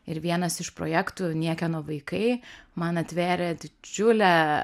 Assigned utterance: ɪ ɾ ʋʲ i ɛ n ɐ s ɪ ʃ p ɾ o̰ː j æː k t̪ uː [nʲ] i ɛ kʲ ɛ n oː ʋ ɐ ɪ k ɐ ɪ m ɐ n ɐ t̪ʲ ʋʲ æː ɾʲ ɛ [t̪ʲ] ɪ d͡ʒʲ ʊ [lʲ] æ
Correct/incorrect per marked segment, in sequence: correct, incorrect, correct

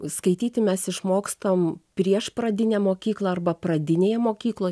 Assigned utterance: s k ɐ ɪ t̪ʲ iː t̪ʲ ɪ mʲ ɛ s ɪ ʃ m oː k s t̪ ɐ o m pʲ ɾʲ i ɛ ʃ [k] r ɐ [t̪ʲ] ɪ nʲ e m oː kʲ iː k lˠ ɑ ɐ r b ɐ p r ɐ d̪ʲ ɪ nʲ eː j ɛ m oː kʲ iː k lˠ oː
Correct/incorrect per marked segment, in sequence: incorrect, incorrect

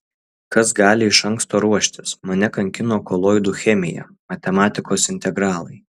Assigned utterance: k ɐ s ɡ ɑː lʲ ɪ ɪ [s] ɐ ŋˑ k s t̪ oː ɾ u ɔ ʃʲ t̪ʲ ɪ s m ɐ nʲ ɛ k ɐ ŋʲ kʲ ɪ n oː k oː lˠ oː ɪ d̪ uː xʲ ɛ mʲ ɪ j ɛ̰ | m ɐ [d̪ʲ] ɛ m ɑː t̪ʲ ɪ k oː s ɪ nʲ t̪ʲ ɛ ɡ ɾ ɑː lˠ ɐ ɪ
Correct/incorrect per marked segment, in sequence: incorrect, incorrect

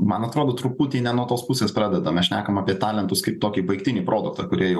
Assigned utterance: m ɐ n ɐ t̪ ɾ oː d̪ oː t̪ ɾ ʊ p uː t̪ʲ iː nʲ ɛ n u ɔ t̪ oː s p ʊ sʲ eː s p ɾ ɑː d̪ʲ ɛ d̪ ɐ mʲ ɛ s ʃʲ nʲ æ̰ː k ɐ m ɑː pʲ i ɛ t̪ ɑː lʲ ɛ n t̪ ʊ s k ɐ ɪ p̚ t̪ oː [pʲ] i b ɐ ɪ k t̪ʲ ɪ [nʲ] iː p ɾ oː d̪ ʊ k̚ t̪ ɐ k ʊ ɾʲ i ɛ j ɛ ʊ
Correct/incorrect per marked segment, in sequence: incorrect, correct

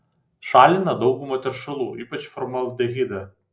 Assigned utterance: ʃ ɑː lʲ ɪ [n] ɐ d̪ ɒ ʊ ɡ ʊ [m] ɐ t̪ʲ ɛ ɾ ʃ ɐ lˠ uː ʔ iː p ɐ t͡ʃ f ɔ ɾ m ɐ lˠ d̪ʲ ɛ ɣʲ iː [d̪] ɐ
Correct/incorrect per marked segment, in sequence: correct, correct, correct

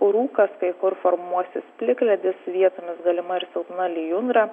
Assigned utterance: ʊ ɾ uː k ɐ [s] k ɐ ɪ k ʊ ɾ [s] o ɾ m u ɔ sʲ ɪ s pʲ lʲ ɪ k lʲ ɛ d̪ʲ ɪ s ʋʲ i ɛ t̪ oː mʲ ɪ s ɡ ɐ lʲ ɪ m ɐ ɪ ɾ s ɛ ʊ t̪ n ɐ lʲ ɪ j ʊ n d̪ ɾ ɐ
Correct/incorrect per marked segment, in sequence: correct, incorrect

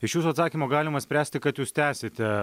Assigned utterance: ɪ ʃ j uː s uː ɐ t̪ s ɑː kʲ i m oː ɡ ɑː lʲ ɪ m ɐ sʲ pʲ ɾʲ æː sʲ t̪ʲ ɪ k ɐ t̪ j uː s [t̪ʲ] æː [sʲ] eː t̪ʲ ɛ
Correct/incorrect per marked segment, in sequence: correct, correct

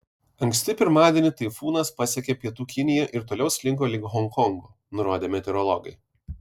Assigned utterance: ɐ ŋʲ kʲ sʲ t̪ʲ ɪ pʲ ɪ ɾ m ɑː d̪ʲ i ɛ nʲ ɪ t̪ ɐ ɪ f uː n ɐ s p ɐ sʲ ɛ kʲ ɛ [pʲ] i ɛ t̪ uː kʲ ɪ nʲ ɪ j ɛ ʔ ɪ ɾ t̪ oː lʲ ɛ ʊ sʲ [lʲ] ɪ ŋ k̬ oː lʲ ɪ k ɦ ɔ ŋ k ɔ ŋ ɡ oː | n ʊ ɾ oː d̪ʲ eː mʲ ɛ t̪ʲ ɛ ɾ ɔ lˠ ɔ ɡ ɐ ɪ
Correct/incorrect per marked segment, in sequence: correct, correct

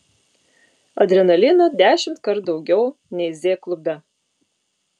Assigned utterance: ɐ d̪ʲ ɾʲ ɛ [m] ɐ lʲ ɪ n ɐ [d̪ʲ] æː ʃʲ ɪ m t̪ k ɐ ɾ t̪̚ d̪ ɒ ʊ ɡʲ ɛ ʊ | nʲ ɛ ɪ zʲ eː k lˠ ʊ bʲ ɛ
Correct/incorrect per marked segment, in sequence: incorrect, correct

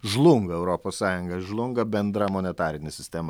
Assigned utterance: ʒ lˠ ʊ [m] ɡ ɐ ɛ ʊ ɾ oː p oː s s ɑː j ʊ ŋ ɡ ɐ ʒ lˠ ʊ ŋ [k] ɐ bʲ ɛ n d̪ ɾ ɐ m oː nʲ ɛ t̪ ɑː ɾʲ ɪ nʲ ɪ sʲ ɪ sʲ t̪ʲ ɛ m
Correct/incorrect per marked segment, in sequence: incorrect, incorrect

